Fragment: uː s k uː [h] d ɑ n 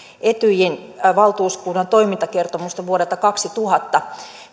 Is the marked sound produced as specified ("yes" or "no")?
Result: no